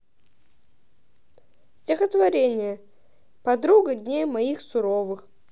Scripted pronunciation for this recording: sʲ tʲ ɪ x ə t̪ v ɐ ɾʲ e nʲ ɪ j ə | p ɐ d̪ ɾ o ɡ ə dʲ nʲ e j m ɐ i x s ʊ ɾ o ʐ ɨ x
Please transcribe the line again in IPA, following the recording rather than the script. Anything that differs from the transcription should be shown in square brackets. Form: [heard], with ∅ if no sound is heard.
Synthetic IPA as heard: sʲ tʲ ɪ x ə t̪ v ɐ ɾʲ e nʲ ɪ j ə | p ɐ d̪ ɾ [u] ɡ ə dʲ nʲ e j m ɐ i x s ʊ ɾ o [v] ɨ x